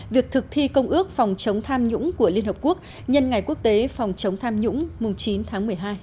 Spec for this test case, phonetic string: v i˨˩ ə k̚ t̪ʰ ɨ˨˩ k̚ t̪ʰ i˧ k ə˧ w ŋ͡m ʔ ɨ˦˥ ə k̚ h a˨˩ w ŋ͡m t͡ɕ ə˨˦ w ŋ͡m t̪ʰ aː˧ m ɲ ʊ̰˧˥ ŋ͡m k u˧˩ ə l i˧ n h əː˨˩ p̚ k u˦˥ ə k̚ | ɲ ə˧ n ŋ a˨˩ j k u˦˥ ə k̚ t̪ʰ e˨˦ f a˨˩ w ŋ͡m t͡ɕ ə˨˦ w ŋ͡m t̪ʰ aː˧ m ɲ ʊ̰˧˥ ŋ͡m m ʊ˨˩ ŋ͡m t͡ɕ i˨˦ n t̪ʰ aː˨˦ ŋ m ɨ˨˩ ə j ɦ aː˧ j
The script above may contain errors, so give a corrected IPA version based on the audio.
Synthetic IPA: v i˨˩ ə k̚ t̪ʰ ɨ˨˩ k̚ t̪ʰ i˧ k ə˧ w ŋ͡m ʔ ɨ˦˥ ə k̚ f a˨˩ w ŋ͡m t͡ɕ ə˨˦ w ŋ͡m t̪ʰ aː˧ m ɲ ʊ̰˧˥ ŋ͡m k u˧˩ ə l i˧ n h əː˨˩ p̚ k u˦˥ ə k̚ | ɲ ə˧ n ŋ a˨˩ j k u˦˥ ə k̚ t̪ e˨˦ f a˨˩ w ŋ͡m t͡ɕ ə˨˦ w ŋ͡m t̪ʰ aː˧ m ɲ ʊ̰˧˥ ŋ͡m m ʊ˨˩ ŋ͡m t͡ɕ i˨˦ n t̪ʰ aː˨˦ ŋ m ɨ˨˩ ə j ɦ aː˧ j